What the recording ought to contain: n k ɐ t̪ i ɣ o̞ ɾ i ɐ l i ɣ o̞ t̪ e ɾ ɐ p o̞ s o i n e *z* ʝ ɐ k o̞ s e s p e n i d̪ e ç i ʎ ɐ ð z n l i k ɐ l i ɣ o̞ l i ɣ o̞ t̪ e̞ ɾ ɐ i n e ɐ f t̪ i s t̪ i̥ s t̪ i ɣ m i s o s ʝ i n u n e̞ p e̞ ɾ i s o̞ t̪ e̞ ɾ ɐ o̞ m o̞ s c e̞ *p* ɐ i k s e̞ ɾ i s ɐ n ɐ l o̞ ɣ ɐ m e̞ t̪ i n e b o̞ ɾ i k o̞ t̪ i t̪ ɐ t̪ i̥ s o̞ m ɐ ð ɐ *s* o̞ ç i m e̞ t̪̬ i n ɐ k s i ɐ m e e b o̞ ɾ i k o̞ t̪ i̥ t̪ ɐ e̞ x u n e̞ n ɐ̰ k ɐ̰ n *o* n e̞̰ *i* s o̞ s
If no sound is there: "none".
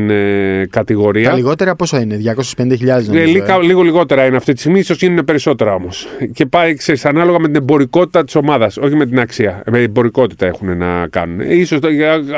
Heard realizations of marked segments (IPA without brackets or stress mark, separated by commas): ð, p, s, u, i